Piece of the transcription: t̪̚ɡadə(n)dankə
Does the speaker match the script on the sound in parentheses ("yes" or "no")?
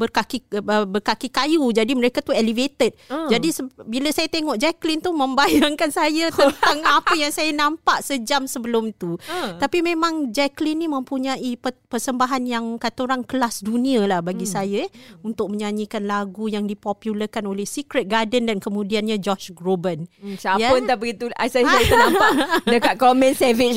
yes